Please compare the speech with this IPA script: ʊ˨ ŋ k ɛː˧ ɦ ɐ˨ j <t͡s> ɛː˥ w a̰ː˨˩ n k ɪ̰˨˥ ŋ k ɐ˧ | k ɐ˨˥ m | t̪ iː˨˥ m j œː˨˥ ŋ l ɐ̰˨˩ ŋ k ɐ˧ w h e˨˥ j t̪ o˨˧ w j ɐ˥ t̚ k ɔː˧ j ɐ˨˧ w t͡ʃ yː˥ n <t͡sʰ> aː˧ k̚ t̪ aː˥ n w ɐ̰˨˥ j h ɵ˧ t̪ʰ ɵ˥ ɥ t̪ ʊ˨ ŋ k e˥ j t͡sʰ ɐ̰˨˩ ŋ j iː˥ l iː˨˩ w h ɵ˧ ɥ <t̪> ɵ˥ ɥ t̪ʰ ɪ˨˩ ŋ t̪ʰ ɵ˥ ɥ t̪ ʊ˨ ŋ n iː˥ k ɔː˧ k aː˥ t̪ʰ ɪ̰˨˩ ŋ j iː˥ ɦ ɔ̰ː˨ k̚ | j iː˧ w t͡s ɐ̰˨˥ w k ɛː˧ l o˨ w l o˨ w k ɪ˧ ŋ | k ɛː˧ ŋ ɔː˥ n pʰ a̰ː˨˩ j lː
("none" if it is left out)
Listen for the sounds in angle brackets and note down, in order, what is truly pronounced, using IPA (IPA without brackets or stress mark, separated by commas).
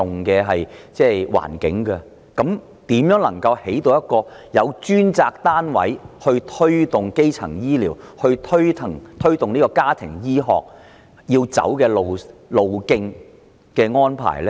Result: t͡s, t͡s, t̪ʰ